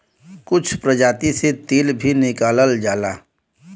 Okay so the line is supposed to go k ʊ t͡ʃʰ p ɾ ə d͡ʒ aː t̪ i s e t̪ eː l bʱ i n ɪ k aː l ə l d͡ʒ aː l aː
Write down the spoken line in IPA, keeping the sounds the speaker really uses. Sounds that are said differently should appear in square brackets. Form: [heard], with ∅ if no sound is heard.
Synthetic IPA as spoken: k ʊ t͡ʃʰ p ɾ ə d͡ʒ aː t̪ i s e t̪ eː l bʱ i n ɪ k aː l ə l d͡ʒ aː l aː